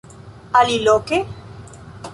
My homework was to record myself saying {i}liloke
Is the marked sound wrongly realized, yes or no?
yes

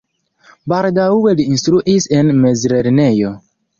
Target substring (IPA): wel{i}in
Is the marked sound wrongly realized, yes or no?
no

